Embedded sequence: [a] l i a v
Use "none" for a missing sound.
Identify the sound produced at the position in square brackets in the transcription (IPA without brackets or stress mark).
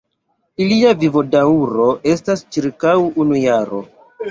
i